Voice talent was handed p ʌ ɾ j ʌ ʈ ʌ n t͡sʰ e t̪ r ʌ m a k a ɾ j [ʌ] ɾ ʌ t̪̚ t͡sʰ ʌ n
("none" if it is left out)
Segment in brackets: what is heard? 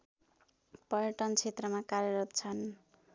ʌ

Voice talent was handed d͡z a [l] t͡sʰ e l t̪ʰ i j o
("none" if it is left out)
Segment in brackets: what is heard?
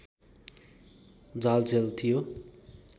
l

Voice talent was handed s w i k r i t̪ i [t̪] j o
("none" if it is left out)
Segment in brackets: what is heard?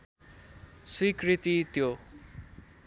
t̪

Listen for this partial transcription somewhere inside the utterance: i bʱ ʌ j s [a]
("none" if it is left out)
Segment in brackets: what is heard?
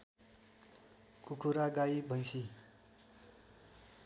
i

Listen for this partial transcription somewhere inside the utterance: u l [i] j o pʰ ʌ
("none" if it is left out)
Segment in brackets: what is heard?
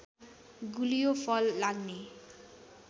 i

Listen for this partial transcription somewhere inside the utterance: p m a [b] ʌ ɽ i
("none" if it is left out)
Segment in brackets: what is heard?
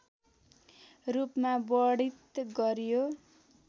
b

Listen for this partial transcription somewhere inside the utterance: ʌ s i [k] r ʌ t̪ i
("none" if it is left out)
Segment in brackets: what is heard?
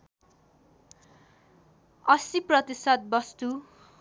p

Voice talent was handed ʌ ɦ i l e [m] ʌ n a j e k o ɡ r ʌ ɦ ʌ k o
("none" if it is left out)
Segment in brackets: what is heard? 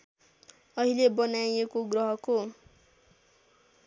b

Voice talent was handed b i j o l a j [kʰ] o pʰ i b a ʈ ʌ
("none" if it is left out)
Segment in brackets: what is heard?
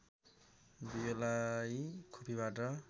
kʰ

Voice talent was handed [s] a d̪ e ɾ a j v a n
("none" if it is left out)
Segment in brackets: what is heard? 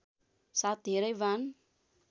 s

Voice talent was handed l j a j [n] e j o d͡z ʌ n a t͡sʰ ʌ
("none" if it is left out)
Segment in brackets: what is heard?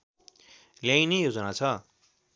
n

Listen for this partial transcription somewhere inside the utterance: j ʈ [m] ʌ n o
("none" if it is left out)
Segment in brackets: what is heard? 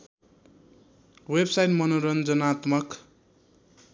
m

